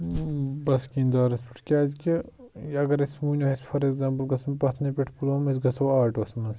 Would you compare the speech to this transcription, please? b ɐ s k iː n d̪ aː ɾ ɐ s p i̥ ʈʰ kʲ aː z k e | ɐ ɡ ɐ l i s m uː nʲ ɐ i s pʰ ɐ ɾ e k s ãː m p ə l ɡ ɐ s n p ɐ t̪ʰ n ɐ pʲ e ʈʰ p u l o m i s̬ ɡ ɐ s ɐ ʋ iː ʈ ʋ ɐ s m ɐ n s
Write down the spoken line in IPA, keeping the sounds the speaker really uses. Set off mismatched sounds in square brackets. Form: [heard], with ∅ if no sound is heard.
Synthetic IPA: b ɐ s k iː n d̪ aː ɾ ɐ s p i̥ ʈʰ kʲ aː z k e | ɐ ɡ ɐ [ɾ] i s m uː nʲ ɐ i s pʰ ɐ ɾ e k [z] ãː m p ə l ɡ ɐ s [m] p ɐ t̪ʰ n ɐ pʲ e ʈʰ p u l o m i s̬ ɡ ɐ s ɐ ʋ [aː] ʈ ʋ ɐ s m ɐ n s